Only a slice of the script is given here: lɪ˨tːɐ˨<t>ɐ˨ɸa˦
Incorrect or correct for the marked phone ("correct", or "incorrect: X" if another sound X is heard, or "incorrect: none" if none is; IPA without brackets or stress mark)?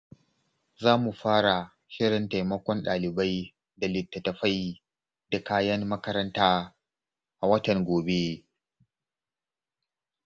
correct